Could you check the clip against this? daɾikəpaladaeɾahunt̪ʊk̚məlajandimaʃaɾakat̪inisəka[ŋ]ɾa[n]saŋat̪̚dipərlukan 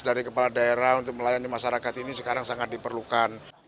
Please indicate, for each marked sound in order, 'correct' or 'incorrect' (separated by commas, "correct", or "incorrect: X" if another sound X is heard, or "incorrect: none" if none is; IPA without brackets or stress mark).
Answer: incorrect: none, incorrect: ŋ